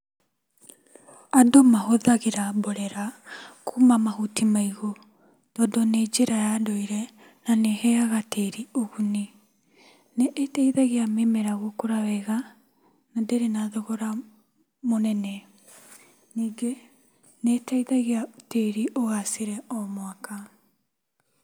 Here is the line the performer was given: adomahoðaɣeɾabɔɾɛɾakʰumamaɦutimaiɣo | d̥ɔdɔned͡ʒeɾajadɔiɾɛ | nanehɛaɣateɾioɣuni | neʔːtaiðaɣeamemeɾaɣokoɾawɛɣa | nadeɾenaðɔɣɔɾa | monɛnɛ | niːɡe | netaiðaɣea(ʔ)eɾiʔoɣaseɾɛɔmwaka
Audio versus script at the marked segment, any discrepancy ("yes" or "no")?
yes